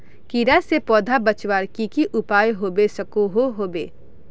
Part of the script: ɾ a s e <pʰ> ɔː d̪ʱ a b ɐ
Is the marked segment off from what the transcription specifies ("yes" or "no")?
yes